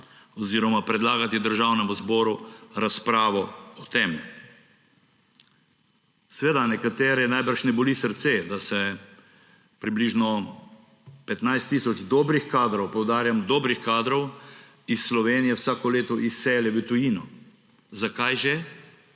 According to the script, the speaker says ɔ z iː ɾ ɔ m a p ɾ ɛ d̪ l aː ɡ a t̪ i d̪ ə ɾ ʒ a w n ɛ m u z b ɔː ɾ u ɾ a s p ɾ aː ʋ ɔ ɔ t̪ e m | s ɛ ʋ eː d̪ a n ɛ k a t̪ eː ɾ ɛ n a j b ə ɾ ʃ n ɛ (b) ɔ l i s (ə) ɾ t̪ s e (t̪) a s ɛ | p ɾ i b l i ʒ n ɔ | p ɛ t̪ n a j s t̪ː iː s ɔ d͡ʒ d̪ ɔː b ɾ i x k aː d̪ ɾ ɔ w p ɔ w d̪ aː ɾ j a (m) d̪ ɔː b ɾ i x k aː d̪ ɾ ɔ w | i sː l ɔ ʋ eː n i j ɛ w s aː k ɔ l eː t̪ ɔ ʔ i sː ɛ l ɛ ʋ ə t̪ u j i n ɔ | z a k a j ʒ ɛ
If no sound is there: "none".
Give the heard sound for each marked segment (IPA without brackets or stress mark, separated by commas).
b, ə, d̪, m